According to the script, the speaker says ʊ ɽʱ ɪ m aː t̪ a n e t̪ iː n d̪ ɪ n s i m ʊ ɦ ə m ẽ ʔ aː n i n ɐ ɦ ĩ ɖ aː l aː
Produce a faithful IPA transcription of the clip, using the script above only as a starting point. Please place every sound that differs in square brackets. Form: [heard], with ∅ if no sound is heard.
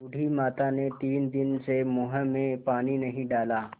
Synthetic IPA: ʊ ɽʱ [i] m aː t̪ a n e t̪ iː n d̪ ɪ n s [e] m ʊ ɦ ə m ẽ [p] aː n i n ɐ ɦ ĩ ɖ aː l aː